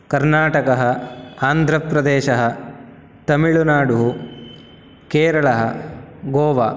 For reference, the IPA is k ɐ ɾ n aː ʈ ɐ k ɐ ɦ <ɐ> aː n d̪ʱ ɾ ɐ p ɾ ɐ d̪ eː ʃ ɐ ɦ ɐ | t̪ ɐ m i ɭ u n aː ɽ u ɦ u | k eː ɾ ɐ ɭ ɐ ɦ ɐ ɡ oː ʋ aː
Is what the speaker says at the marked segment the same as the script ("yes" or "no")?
yes